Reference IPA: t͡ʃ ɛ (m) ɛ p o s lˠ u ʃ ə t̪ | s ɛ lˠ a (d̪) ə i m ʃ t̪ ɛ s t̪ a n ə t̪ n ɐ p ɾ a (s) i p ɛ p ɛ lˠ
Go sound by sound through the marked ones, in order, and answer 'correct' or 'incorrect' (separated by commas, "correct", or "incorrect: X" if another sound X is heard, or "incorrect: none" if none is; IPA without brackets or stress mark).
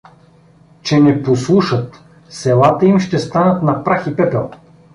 incorrect: n, incorrect: t̪, incorrect: x